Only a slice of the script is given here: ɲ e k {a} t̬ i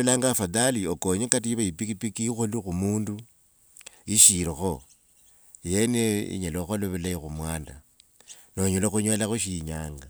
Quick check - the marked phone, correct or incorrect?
correct